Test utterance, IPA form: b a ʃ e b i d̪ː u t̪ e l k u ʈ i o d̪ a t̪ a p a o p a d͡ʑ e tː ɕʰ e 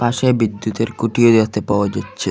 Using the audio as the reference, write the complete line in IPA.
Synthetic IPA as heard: p a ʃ e b i d̪ː u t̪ e ɾ k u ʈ i o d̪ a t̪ e p a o a d͡ʑ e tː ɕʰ e

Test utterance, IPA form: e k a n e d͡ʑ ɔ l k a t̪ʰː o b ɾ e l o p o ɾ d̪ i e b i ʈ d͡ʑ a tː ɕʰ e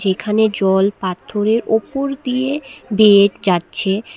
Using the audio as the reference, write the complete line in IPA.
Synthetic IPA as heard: e kʰ a n e d͡ʑ ɔ l p a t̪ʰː o ɾ e ɾ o p o ɾ d̪ i e b e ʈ d͡ʑ a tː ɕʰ e

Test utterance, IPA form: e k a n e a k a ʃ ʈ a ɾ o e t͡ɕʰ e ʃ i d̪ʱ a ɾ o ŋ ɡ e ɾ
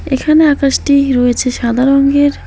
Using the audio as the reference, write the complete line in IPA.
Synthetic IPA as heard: e kʰ a n e a k a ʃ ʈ i ɾ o e t͡ɕʰ e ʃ a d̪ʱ a ɾ o ŋ ɡ e ɾ

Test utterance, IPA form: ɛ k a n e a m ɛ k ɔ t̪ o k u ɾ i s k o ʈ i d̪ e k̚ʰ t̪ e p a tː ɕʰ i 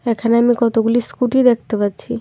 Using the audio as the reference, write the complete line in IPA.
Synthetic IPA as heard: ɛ kʰ a n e a m i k ɔ t̪ o ɡ u l i s k u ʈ i d̪ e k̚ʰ t̪ e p a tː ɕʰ i

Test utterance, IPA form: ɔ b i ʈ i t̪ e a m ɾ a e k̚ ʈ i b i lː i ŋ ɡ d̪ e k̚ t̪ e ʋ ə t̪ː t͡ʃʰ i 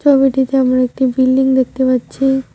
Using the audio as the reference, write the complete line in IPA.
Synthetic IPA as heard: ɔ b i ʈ i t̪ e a m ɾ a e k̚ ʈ i b i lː i ŋ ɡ d̪ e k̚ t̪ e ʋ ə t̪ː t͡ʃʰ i

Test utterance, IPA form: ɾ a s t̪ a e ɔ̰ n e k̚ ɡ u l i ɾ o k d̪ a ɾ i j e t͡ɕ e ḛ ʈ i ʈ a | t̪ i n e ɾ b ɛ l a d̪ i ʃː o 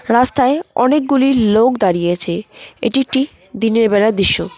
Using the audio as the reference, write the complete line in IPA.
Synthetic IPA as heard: ɾ a s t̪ a e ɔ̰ n e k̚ ɡ u l i l o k d̪ a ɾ i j e t͡ɕʰ e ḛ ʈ i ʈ i | d̪ i n e ɾ b ɛ l a d̪ i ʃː o

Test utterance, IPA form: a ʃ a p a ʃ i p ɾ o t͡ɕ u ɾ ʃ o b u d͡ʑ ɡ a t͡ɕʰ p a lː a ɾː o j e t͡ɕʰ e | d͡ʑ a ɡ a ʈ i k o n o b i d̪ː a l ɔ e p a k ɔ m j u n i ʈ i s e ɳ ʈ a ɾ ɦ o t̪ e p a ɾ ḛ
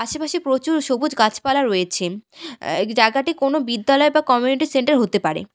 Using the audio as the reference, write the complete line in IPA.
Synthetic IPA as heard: a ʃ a p a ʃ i p ɾ o t͡ɕ u ɾ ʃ o b u d͡ʑ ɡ a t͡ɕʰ p a l a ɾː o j e t͡ɕʰ e | d͡ʑ a ɡ a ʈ i k o n o b i d̪ː a l ɔ e b a k ɔ m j u n i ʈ i s e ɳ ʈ a ɾ ɦ o t̪ e p a ɾ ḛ

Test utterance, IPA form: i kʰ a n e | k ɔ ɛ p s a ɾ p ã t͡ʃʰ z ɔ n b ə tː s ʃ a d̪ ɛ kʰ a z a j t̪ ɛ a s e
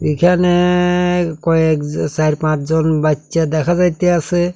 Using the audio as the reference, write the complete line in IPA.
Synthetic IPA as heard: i kʰ a n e | k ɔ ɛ k s a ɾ p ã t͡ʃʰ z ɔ n b a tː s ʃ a d̪ ɛ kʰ a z a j t̪ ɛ a s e

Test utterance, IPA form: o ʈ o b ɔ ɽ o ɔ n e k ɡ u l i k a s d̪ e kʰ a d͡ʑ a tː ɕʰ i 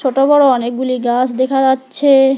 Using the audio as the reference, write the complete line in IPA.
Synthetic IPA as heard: o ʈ o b ɔ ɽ o ɔ n e k ɡ u l i ɡ a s d̪ e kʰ a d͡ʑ a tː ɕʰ e

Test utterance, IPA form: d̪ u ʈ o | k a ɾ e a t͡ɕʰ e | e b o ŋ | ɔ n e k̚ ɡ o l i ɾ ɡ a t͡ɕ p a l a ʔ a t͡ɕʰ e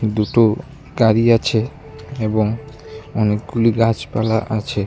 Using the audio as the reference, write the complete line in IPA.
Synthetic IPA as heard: d̪ u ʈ o | ɡ a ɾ i a t͡ɕʰ e | e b o ŋ | ɔ n e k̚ ɡ u l i ɡ a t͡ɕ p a l a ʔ a t͡ɕʰ e

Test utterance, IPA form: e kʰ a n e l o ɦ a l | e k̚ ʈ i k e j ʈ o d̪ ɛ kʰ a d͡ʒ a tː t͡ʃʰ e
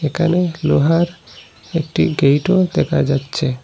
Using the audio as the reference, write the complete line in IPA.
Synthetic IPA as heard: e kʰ a n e l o ɦ a ɾ | e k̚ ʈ i ɡ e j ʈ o d̪ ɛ kʰ a d͡ʒ a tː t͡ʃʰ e

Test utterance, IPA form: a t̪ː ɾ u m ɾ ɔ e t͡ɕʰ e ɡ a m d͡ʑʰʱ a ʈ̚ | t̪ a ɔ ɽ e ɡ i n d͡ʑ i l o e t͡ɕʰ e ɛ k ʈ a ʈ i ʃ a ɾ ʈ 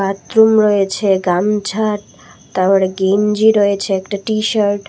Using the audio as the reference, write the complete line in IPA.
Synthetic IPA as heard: a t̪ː ɾ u m ɾ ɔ e t͡ɕʰ e ɡ a m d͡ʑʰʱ a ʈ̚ | t̪ a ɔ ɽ e ɡ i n d͡ʑ i ɾ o e t͡ɕʰ e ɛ k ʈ a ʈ i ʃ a ɾ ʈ

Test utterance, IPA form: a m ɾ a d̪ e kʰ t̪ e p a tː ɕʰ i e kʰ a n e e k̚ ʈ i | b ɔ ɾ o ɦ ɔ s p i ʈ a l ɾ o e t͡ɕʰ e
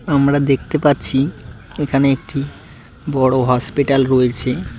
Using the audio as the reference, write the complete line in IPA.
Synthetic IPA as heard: a m ɾ a d̪ e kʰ t̪ e p a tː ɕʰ i e kʰ a n e e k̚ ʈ i | b ɔ ɽ o ɦ ɔ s p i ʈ a l ɾ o e t͡ɕʰ e

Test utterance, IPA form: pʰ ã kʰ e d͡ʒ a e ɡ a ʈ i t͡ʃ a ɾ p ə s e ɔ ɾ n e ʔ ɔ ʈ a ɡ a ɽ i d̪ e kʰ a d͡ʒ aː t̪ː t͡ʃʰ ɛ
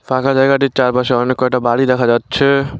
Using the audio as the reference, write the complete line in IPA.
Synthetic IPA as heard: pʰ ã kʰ a d͡ʒ a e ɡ a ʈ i t͡ʃ a ɾ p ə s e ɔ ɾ n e k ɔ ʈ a b a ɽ i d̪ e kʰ a d͡ʒ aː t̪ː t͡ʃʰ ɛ

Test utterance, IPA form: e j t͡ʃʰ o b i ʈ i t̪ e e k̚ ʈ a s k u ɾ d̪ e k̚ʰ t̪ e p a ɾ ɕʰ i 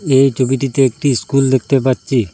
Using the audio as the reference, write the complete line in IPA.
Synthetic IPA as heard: e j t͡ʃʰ o b i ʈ i t̪ e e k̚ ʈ i s k u l d̪ e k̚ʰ t̪ e p a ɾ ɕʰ i

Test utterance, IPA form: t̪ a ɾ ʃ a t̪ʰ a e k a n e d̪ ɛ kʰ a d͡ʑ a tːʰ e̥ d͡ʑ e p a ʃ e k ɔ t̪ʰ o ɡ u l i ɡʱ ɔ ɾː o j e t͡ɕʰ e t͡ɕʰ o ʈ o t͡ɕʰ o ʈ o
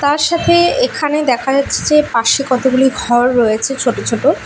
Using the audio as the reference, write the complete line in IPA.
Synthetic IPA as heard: t̪ a ɾ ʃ a t̪ʰ e e kʰ a n e d̪ ɛ kʰ a d͡ʑ a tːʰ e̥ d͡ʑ e p a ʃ e k ɔ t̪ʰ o ɡ u l i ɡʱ ɔ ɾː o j e t͡ɕʰ e t͡ɕʰ o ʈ o t͡ɕʰ o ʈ o

